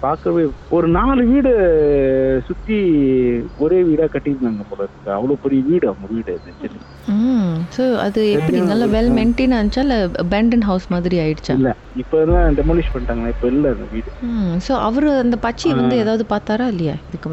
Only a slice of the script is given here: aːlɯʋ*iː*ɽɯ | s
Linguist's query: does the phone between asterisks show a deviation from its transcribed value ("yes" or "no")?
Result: no